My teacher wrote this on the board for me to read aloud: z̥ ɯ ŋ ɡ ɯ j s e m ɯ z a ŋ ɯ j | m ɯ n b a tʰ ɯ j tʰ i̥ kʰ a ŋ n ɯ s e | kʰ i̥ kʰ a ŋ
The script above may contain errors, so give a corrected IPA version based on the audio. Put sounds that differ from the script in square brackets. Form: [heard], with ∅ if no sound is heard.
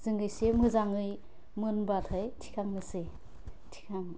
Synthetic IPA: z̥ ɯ ŋ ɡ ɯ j s e m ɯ z a ŋ ɯ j | m ɯ n b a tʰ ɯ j tʰ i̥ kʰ a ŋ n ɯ s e | [tʰ] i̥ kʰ a ŋ